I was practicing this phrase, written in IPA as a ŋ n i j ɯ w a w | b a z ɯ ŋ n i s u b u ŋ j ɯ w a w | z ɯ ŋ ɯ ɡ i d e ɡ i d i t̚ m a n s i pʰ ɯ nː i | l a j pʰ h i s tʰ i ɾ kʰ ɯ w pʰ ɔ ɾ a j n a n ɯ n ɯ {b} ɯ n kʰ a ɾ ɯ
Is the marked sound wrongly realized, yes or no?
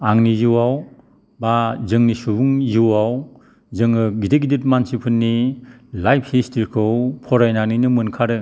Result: yes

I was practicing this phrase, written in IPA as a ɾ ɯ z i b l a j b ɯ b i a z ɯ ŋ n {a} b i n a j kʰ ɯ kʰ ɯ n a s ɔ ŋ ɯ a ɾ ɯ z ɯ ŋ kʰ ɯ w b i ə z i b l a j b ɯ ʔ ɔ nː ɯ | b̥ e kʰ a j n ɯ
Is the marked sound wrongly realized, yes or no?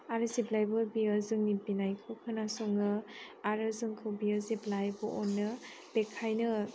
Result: yes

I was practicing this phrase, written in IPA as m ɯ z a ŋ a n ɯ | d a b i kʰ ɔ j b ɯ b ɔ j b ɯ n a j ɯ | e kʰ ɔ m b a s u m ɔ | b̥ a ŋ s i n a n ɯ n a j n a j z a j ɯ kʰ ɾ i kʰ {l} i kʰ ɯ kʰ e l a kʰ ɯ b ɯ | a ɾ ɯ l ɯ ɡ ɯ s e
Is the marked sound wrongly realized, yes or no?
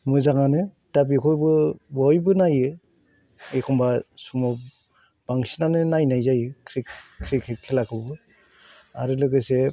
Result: yes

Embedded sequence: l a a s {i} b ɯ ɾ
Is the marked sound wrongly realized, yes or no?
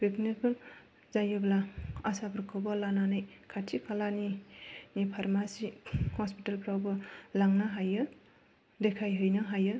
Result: yes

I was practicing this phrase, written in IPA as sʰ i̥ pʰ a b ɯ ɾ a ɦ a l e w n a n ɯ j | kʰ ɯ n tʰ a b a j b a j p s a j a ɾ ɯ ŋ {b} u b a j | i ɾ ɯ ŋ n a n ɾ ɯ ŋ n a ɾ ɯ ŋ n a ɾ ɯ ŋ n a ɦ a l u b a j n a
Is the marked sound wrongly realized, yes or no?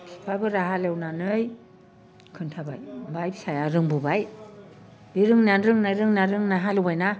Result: no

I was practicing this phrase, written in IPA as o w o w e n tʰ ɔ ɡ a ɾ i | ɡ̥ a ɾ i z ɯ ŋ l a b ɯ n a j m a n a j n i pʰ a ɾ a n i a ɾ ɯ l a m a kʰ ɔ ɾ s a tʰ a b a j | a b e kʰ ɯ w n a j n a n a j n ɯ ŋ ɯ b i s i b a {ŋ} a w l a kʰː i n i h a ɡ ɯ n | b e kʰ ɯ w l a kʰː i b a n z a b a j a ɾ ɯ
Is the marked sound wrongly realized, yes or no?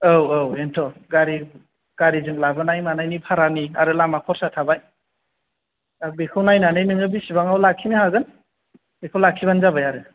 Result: no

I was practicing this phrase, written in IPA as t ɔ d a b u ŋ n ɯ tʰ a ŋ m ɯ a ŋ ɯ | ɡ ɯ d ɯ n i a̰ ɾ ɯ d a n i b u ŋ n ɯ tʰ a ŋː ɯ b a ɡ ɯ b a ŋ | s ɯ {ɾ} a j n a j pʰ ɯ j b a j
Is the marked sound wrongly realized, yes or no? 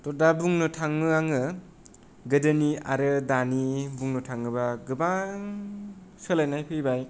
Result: yes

